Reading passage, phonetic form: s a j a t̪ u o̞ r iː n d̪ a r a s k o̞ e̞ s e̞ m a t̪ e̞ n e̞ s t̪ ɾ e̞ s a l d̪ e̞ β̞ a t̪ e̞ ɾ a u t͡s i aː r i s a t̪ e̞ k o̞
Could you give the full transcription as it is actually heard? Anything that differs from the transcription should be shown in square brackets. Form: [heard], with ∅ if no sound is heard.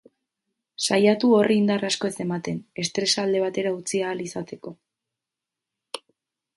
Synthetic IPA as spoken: s a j a t̪ u o̞ r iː n d̪ a r a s k o̞ e̞ s e̞ m a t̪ e̞ n e̞ s t̪ ɾ e̞ s a l d̪ e̞ β̞ a t̪ e̞ ɾ a u t͡s i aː [l] i s a t̪ e̞ k o̞